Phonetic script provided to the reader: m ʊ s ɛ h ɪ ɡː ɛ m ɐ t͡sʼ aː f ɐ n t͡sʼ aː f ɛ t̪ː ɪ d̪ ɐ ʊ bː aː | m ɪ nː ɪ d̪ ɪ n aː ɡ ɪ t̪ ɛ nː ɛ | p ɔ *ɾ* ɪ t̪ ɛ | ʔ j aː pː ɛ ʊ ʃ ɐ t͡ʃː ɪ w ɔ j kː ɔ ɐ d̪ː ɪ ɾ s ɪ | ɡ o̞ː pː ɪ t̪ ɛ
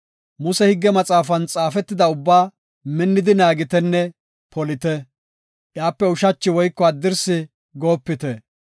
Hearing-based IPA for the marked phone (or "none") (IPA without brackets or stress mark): l